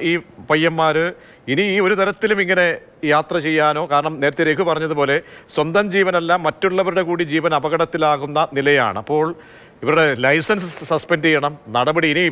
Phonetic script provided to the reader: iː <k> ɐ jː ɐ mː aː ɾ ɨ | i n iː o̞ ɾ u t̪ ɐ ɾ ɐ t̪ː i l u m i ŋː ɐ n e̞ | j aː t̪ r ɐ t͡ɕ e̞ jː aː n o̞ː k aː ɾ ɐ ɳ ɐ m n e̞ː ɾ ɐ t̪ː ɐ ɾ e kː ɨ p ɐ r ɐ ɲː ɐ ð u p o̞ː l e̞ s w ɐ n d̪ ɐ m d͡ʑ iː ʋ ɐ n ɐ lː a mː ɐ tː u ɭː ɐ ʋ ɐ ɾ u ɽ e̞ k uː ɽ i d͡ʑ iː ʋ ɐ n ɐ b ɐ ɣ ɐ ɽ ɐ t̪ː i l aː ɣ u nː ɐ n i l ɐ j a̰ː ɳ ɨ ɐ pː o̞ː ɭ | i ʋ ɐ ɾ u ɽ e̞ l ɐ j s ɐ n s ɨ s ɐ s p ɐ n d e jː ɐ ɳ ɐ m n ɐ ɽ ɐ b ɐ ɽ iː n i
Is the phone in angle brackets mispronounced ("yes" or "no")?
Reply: yes